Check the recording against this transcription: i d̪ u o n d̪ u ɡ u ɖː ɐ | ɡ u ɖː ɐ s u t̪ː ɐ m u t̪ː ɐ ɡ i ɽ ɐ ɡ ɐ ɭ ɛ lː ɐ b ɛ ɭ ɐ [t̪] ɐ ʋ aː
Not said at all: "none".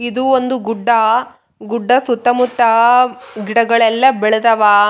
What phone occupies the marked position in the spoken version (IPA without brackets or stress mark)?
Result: d̪